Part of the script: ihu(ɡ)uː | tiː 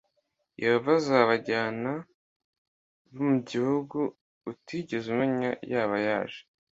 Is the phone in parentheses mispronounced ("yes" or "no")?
no